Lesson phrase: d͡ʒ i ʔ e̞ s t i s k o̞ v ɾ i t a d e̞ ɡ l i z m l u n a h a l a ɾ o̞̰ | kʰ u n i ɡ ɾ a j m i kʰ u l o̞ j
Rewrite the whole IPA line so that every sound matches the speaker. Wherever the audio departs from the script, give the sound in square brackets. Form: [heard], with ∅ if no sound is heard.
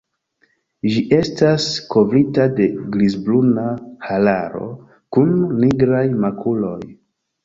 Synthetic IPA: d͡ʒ i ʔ e̞ s t [a] s k o̞ v ɾ i t a d e̞ ɡ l i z [b] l u n a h a l a ɾ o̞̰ | [k] u [nː] i ɡ ɾ a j m [a] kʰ u l o̞ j